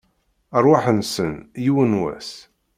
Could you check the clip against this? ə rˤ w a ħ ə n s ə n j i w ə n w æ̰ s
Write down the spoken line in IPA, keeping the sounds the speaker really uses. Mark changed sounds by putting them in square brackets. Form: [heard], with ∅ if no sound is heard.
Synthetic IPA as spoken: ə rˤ w a ħ ə n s ə n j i w ə n w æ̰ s